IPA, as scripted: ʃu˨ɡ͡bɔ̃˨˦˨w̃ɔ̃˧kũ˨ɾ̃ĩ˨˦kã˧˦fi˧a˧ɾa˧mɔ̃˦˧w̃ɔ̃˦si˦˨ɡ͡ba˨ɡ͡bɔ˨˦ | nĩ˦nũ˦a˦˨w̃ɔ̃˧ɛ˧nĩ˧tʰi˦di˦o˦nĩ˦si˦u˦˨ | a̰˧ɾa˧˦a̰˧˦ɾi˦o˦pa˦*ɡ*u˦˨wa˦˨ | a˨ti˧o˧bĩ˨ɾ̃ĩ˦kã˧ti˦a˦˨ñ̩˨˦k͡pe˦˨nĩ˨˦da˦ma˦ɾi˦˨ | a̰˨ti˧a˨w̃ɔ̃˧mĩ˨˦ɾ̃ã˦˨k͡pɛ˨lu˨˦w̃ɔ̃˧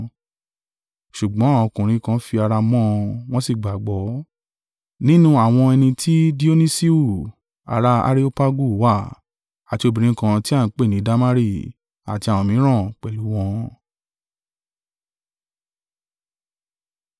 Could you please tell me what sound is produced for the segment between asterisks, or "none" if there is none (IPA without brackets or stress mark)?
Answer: ɡ